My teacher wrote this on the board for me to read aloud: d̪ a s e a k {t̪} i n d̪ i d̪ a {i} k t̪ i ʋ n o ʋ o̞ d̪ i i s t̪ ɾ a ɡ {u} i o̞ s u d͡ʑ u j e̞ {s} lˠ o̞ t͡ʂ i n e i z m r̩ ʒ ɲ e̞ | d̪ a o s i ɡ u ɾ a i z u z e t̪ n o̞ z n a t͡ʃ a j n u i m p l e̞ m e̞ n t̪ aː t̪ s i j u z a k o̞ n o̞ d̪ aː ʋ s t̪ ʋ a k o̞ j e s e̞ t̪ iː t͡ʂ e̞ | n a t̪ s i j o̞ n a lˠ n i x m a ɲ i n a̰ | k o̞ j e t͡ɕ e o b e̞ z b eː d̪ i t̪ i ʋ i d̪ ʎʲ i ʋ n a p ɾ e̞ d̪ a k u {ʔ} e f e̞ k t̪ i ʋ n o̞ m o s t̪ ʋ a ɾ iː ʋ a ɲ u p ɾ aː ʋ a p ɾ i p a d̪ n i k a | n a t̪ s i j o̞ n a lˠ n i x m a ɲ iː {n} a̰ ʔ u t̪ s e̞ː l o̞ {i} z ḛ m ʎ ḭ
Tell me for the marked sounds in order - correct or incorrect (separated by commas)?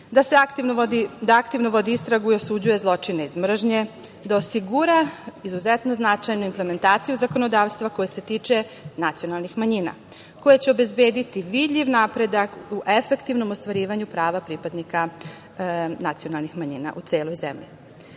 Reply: correct, incorrect, correct, incorrect, correct, correct, incorrect